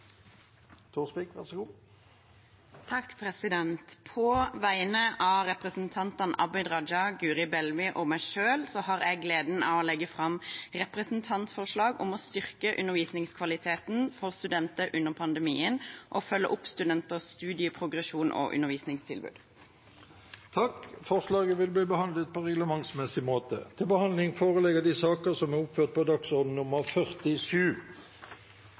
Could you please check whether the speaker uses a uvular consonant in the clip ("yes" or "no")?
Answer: yes